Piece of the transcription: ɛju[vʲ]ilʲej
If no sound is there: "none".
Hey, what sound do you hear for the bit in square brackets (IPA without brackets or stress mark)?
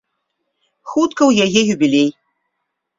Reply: bʲ